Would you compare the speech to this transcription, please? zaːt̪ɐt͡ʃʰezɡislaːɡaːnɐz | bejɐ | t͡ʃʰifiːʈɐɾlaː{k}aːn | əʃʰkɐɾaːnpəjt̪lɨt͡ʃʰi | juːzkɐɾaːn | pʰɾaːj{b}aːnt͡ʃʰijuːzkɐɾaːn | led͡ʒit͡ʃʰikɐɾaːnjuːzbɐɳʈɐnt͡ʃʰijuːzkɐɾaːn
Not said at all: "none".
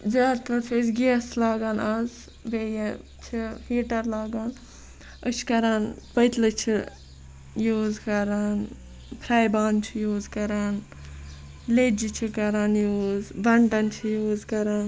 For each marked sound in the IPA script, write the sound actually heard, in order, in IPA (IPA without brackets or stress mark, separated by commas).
ɡ, b